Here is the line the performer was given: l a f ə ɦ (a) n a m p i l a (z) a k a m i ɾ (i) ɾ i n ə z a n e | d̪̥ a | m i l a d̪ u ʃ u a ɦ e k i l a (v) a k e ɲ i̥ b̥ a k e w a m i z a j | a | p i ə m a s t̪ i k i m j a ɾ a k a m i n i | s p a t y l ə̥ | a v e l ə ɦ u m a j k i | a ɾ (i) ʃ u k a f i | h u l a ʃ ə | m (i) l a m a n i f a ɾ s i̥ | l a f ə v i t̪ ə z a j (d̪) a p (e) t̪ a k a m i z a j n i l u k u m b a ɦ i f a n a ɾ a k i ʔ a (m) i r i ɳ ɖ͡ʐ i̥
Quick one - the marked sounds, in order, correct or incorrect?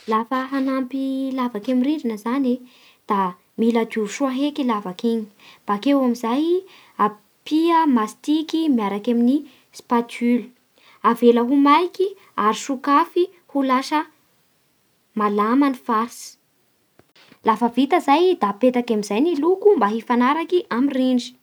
correct, incorrect: v, correct, correct, correct, incorrect: a, correct, correct, correct

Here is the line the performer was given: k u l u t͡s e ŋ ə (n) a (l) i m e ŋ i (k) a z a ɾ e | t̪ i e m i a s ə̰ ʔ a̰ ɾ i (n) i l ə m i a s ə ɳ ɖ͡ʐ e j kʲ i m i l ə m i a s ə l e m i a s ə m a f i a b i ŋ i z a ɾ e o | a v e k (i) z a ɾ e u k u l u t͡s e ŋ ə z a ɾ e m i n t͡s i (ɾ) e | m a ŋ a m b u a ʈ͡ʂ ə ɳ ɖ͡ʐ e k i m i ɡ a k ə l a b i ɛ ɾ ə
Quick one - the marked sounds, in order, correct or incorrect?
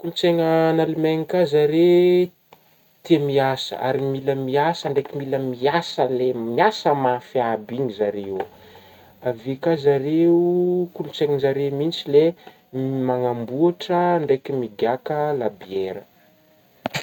correct, correct, correct, incorrect: m, incorrect: a, incorrect: l

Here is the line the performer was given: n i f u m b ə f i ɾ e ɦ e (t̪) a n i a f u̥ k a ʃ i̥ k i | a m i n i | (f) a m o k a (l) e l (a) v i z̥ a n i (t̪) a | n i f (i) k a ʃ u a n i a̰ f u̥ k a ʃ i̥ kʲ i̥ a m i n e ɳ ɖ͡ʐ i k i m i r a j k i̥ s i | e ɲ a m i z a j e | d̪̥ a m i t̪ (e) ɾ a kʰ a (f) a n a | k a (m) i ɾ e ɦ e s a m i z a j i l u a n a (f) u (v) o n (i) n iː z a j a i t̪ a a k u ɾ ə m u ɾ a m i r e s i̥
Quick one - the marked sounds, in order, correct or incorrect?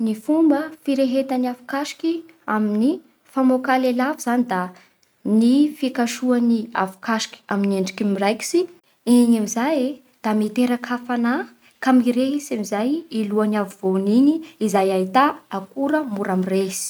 correct, correct, correct, correct, incorrect: d̪, correct, correct, correct, correct, incorrect: v, correct, correct

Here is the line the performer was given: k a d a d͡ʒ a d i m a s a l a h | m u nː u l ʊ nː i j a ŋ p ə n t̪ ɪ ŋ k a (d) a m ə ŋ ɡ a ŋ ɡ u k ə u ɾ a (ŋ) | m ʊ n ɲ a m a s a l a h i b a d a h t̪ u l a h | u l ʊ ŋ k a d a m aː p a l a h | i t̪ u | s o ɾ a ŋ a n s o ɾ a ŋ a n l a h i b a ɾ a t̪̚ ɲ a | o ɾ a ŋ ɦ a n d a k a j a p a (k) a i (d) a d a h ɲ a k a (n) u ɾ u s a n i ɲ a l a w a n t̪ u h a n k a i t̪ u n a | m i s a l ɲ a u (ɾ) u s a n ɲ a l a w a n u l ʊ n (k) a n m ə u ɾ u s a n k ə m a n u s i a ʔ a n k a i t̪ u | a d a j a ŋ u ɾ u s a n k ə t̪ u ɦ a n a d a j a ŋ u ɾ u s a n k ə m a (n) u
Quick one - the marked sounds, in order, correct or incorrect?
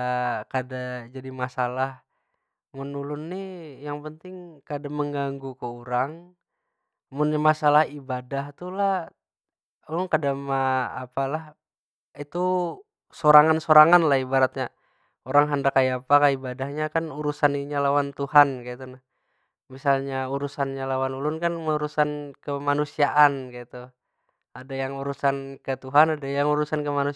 correct, correct, correct, incorrect: b, correct, correct, correct, correct

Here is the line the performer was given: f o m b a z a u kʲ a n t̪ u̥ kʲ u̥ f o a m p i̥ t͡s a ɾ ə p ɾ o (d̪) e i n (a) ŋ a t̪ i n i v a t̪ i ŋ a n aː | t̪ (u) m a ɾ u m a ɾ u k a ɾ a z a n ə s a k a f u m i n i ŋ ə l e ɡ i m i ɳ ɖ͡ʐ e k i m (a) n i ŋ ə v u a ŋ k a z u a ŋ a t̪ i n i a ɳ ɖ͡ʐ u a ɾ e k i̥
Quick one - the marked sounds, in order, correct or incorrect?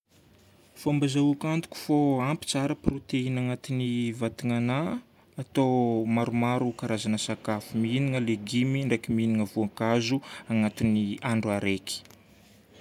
incorrect: t̪, correct, incorrect: o, incorrect: i

